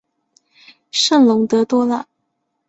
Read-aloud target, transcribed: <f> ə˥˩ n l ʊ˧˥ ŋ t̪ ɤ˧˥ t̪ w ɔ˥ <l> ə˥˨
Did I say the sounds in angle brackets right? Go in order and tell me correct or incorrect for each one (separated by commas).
incorrect, correct